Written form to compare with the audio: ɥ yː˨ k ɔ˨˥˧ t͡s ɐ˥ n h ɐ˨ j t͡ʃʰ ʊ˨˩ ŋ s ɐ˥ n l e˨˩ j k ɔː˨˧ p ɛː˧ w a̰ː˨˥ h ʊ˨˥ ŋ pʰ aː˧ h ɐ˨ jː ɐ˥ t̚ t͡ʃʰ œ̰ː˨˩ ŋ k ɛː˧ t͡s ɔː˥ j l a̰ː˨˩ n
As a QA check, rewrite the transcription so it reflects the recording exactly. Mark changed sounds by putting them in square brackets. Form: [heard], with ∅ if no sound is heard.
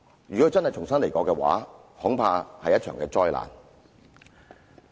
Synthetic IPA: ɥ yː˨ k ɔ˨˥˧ t͡s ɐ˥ n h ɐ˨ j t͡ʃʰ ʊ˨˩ ŋ s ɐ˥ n l e˨˩ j k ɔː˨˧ [k] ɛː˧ w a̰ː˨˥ h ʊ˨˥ ŋ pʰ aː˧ h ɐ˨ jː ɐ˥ t̚ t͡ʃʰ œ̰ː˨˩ ŋ k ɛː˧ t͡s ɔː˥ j l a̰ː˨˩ n